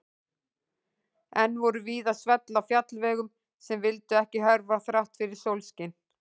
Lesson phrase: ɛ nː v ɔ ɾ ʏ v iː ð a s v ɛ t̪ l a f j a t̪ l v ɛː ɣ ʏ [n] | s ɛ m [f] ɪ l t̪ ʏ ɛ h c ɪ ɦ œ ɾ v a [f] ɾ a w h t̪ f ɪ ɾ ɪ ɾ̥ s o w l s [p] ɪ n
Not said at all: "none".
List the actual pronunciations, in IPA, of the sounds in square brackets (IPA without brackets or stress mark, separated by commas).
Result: m, v, θ, c